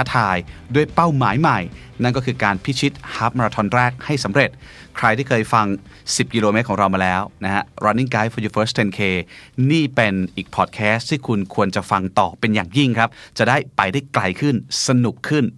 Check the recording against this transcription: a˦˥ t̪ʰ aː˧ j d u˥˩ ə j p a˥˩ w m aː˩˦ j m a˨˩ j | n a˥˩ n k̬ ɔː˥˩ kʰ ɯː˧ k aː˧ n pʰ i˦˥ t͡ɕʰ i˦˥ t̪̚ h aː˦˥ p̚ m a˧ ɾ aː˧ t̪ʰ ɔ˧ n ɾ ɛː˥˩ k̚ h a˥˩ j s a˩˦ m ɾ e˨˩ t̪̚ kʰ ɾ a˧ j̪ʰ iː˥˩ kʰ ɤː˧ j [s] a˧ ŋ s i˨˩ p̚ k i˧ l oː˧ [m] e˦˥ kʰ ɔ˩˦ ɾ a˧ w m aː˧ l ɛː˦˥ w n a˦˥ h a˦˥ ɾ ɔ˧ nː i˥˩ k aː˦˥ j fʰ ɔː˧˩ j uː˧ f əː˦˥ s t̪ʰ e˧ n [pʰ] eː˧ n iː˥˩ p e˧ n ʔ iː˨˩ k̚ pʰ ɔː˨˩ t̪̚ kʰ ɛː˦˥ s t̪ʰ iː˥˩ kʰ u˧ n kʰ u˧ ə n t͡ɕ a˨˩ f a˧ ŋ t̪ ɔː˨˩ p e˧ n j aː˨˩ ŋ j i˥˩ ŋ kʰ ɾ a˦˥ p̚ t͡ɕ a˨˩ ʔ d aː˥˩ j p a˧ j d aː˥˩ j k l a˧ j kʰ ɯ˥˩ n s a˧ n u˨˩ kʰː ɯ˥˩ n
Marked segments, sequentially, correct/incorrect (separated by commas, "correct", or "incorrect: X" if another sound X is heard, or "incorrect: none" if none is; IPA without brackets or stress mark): incorrect: f, correct, incorrect: kʰ